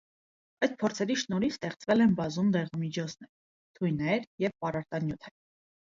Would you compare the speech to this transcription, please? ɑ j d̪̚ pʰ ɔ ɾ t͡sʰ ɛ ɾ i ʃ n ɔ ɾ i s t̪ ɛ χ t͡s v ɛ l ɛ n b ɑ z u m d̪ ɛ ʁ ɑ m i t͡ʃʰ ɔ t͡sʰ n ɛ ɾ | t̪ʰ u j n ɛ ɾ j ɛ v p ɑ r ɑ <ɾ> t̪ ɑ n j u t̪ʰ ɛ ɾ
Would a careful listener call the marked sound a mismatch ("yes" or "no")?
no